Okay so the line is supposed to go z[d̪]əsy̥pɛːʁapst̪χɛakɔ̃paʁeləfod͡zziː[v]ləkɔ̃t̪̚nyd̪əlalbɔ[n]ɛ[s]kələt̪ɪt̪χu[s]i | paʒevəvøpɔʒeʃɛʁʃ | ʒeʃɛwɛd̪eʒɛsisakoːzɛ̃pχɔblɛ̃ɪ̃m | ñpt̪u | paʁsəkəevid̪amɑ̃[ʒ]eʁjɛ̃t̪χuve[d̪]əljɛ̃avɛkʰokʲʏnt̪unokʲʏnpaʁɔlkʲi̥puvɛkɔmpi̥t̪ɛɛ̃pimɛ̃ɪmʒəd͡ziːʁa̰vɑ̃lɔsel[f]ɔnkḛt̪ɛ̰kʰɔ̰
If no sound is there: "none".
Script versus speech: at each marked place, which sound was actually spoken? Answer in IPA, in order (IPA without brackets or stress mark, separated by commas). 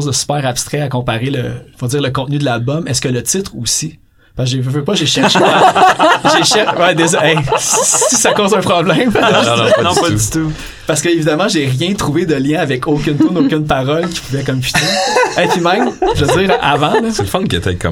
d̪, ʁ, m, s, s, ʒ, d̪, f